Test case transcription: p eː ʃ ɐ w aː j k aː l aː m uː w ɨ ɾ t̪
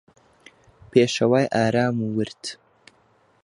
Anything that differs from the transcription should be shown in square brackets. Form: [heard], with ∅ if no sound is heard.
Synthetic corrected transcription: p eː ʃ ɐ w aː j [ʔ] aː [ɾ] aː m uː w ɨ ɾ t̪